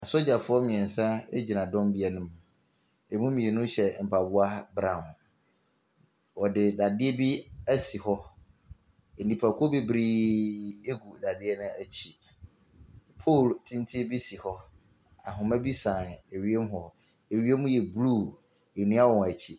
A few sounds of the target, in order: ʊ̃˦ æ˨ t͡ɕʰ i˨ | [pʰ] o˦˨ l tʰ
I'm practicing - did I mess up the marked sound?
no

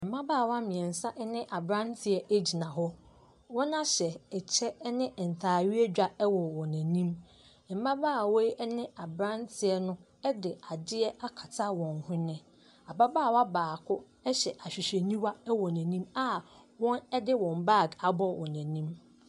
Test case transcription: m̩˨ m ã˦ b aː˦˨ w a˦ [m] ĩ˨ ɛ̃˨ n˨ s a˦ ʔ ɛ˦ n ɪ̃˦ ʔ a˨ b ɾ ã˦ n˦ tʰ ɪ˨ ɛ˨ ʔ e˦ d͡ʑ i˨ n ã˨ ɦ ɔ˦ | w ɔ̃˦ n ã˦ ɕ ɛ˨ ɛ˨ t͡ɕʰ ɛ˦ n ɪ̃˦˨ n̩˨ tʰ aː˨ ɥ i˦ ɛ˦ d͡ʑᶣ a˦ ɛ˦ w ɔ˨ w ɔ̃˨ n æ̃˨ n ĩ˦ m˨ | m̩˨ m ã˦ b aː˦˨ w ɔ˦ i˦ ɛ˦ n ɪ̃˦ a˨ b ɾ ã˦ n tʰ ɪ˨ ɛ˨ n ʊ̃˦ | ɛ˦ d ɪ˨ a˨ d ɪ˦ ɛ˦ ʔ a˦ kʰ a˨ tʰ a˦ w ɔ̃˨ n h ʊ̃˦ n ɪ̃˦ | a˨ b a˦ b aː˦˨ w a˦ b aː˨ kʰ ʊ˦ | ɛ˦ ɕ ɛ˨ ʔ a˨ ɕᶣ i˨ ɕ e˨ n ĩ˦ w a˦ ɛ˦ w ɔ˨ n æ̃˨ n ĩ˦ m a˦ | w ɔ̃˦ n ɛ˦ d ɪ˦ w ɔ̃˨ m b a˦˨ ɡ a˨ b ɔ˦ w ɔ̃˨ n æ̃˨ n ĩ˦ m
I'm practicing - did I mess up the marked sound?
no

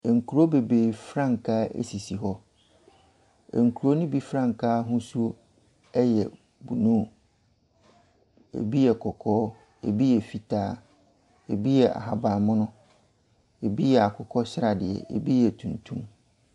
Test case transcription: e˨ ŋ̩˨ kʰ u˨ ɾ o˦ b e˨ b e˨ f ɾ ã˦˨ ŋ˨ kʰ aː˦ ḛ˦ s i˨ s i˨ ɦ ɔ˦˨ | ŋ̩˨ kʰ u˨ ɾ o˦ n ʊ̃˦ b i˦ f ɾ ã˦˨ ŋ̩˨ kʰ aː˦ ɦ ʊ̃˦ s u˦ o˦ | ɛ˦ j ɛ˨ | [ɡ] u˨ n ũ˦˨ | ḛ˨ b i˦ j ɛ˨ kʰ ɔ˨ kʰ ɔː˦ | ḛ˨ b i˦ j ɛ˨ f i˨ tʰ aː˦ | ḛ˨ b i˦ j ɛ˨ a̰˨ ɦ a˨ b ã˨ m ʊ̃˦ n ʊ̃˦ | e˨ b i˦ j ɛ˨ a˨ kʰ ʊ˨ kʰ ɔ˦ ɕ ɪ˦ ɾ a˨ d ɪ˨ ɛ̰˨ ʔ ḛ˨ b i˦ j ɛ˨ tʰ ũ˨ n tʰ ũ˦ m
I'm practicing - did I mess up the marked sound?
yes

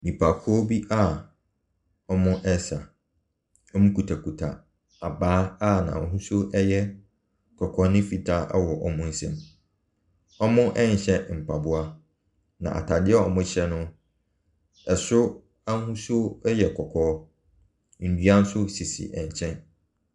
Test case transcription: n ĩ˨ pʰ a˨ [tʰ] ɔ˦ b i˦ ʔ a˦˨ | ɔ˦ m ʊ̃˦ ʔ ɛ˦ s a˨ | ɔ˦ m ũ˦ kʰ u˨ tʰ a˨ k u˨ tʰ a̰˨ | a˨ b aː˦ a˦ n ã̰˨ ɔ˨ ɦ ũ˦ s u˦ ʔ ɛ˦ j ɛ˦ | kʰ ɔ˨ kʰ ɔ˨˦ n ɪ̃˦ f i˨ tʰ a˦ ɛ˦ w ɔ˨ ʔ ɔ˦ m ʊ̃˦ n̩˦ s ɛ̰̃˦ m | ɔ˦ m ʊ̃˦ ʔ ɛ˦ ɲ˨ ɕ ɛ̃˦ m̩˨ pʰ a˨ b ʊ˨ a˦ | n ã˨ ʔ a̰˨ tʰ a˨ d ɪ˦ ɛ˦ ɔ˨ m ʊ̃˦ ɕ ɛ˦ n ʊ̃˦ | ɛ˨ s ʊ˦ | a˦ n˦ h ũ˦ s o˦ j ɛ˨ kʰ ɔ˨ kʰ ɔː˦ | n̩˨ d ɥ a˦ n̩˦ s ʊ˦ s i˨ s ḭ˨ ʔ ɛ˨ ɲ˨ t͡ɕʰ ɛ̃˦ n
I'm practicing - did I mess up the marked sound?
yes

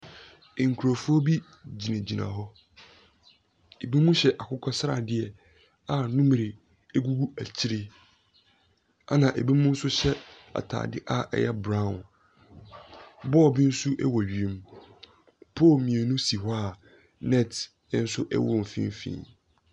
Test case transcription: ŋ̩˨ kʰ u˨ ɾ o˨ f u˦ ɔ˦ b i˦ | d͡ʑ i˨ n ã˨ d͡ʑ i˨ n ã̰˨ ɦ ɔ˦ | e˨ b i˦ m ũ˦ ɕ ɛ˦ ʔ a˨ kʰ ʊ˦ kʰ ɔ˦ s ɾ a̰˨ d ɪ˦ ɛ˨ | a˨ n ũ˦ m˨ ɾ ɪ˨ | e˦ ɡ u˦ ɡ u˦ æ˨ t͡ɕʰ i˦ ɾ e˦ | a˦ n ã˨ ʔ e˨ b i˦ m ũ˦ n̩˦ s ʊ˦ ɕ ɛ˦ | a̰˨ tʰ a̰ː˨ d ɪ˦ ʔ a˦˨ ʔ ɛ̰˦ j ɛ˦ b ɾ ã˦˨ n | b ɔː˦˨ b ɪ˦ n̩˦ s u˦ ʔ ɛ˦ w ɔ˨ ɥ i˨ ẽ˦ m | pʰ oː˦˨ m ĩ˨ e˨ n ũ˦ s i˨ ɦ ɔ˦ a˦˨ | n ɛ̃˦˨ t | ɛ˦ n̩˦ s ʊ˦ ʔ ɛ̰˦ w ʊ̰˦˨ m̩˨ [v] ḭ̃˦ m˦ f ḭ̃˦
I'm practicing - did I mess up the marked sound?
yes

